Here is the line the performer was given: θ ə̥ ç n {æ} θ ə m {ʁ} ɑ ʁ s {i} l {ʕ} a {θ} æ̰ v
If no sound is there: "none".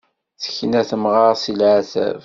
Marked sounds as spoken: æ, ʁ, i, ʕ, θ

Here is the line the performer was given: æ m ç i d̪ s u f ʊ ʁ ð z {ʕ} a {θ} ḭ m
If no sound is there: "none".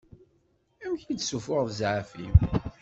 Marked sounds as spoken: ʕ, f

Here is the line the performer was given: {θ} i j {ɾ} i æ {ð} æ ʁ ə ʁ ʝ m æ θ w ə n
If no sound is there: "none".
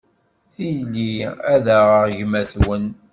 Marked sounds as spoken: θ, l, ð

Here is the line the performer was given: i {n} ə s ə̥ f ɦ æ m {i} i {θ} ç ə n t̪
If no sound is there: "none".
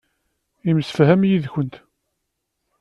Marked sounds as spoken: m, j, ð

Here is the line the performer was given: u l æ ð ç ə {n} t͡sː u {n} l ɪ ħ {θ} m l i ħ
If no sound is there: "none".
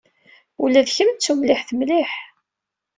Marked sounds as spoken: m, m, θ

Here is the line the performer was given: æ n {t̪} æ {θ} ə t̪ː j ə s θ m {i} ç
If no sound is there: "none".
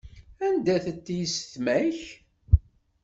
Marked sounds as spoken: d̪, θ, æ

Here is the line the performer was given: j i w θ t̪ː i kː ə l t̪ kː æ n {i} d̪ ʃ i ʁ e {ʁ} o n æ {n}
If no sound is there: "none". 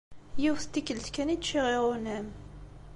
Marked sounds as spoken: i, ʁ, m

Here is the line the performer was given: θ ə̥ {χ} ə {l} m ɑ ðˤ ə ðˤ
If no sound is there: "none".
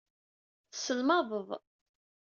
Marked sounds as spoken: s, l

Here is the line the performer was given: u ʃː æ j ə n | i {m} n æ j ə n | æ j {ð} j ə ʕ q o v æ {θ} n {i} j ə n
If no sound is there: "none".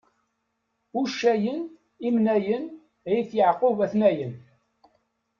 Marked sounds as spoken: m, θ, θ, æ

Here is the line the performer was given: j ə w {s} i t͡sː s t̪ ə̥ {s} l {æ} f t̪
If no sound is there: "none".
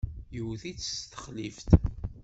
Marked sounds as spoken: θ, χ, i

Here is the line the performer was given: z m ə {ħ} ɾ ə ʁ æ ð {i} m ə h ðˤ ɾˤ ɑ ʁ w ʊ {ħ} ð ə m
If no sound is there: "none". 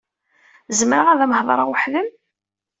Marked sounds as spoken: none, æ, ħ

